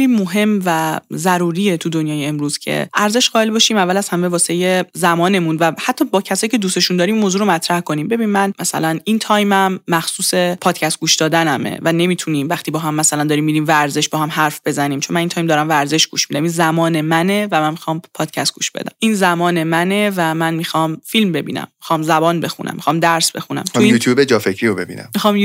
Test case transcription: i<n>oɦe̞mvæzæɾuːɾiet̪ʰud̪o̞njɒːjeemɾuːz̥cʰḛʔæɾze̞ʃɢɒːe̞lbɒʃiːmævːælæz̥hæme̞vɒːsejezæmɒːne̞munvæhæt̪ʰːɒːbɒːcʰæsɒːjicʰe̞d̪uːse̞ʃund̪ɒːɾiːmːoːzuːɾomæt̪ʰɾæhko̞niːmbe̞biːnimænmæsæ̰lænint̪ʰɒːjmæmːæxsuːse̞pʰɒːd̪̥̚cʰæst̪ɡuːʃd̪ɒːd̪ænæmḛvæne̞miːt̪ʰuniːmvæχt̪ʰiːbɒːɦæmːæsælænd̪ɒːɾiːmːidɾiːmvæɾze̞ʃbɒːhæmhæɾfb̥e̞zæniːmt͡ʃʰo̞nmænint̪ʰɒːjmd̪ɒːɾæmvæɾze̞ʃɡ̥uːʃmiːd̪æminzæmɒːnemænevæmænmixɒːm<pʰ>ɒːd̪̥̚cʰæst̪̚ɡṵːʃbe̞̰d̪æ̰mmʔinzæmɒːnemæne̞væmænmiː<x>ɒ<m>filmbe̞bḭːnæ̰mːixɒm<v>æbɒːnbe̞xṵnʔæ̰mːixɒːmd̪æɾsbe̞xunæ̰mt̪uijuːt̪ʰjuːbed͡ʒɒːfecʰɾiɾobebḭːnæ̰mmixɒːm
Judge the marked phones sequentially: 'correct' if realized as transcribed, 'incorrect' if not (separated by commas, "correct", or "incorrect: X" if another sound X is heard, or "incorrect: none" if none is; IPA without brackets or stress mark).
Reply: incorrect: m, correct, correct, correct, incorrect: z